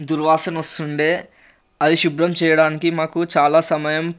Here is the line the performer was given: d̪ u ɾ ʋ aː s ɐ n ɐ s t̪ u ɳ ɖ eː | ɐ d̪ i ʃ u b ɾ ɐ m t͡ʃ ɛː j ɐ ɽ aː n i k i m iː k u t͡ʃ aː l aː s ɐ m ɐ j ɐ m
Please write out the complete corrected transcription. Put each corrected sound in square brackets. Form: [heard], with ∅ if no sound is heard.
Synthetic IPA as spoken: d̪ u ɾ ʋ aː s ɐ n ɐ s t̪ u ɳ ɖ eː | ɐ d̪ i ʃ u b ɾ ɐ m t͡ʃ ɛː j ɐ ɽ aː n i k i m [aː] k u t͡ʃ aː l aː s ɐ m ɐ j ɐ m